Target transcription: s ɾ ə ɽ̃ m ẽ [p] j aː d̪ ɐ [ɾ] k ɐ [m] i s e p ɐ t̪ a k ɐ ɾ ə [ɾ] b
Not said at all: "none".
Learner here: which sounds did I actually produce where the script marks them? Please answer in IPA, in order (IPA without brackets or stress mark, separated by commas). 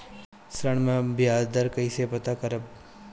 b, ɾ, none, none